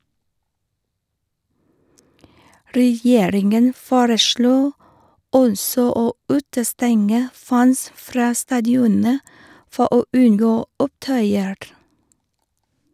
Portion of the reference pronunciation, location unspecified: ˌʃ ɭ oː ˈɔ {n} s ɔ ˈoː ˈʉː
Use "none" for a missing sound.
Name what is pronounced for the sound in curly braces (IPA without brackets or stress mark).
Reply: n